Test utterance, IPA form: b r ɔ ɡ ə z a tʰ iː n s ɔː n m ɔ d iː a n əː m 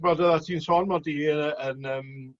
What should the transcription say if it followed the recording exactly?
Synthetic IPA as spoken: b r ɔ d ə ð a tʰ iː n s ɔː n m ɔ d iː ə n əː m